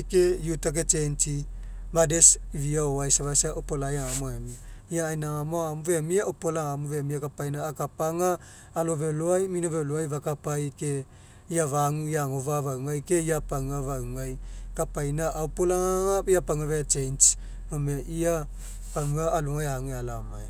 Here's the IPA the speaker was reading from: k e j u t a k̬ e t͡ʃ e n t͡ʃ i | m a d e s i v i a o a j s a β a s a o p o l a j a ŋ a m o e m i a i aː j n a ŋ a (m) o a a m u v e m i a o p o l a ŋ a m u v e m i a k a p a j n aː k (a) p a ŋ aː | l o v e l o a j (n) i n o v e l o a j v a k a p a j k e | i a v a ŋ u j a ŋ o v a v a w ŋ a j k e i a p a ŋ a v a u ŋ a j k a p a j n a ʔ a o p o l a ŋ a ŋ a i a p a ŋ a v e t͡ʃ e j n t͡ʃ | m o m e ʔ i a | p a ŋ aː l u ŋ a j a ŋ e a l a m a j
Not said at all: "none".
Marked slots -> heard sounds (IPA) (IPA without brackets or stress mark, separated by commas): m, a, m